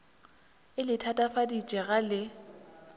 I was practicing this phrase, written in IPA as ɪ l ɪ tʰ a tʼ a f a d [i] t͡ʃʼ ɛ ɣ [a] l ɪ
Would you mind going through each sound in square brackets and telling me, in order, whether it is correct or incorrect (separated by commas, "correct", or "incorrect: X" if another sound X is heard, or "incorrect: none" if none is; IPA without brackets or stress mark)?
correct, correct